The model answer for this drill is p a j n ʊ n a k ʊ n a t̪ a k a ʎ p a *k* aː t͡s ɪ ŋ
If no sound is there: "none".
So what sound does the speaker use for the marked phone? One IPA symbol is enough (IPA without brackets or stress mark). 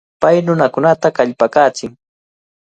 k